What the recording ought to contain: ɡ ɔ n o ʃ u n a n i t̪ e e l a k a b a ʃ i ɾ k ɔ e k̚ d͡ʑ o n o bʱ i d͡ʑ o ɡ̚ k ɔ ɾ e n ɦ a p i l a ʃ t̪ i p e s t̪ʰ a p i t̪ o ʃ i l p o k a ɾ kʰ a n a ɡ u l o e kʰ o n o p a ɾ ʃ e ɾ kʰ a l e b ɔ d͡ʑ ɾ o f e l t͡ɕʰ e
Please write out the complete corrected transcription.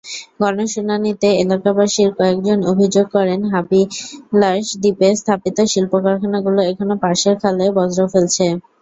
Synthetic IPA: ɡ ɔ n o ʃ u n a n i t̪ e e l a k a b a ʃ i ɾ k ɔ e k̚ d͡ʑ o n o bʱ i d͡ʑ o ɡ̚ k ɔ ɾ e n ɦ a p i l a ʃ d̪ i p e s t̪ʰ a p i t̪ o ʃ i l p o k a ɾ kʰ a n a ɡ u l o e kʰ o n o p a ɾ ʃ e ɾ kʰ a l e b ɔ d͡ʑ ɾ o f e l t͡ɕʰ e